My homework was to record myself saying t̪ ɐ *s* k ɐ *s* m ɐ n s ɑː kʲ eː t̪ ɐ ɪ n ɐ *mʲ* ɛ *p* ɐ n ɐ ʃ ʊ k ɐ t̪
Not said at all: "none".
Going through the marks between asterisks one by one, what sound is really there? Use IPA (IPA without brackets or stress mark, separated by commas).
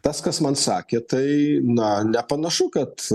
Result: s, s, nʲ, p